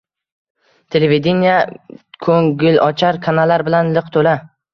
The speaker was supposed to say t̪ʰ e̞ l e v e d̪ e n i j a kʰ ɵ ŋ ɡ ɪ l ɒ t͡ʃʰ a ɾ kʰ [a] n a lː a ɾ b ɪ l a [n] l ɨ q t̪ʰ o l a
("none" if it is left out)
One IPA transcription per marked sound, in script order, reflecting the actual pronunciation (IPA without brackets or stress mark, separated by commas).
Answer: a, n